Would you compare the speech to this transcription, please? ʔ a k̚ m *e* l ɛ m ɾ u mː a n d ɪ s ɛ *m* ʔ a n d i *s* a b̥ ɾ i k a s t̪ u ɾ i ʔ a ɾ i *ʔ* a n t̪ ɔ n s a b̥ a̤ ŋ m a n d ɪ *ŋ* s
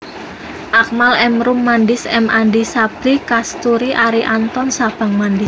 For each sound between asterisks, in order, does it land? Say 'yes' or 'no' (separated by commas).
no, yes, yes, yes, no